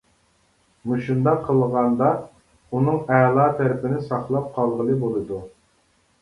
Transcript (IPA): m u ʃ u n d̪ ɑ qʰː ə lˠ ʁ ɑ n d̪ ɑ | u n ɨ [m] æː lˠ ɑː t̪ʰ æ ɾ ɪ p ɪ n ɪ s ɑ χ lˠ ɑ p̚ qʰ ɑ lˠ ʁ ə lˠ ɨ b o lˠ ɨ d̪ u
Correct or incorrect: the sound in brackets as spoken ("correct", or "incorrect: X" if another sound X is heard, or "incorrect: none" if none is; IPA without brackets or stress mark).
incorrect: ŋ